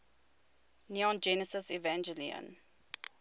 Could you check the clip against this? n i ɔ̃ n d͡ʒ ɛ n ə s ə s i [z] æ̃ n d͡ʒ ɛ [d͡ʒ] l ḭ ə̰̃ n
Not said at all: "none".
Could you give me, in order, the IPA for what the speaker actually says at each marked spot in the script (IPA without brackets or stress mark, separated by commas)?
v, none